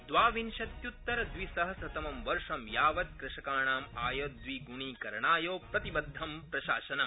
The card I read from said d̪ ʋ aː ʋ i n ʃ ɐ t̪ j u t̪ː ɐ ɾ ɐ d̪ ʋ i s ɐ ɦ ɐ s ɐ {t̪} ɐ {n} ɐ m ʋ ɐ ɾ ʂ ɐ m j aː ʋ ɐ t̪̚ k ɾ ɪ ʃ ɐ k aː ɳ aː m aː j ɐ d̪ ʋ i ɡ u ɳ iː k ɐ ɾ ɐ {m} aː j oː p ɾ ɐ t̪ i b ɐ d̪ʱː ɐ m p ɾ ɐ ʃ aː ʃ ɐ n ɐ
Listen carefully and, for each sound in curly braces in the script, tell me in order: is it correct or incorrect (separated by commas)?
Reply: correct, incorrect, incorrect